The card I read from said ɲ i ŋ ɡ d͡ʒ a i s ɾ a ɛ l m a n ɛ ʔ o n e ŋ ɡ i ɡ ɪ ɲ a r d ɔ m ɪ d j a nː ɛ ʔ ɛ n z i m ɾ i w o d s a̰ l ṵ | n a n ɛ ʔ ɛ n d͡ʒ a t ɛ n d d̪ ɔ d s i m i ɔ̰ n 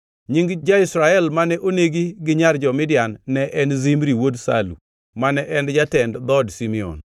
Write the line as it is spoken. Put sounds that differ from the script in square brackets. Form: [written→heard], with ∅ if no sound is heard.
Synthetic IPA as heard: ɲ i ŋ ɡ d͡ʒ a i s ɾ a ɛ l m a n ɛ ʔ o n e [ŋ→∅] ɡ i ɡ ɪ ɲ a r [d→d͡ʒ] ɔ m ɪ d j a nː ɛ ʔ ɛ n z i m ɾ i w o d s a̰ l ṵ | [n→m] a n ɛ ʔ ɛ n d͡ʒ a t ɛ n d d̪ ɔ d s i m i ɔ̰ n